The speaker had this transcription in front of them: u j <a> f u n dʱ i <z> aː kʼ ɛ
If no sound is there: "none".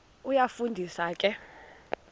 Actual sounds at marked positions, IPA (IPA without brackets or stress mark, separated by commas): a, s